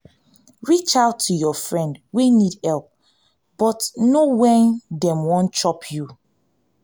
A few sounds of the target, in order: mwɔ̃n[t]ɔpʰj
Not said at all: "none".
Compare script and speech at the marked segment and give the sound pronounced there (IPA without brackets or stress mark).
t͡ʃ